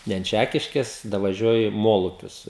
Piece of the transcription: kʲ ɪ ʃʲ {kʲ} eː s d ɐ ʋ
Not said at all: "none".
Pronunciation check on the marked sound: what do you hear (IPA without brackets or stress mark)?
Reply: kʲ